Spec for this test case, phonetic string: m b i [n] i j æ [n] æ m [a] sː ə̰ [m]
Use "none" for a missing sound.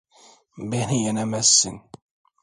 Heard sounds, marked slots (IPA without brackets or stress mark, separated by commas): n, n, æ, n